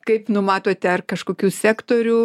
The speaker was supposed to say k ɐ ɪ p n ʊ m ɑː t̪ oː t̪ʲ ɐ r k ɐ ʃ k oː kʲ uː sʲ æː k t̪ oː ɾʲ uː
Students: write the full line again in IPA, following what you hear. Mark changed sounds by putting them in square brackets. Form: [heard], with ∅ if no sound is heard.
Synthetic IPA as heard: k ɐ ɪ p n ʊ m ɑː t̪ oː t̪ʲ ɐ r k ɐ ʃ k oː kʲ uː sʲ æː k t̪ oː ɾʲ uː